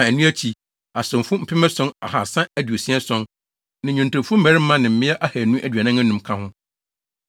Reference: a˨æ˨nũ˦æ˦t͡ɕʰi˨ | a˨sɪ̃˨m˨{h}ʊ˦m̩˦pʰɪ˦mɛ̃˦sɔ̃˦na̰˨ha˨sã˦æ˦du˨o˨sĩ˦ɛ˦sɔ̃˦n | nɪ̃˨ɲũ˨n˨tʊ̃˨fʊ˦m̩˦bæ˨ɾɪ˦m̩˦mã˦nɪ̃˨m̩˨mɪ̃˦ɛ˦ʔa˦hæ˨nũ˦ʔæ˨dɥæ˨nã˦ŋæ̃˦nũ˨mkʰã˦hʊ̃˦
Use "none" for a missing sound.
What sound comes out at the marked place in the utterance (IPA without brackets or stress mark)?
f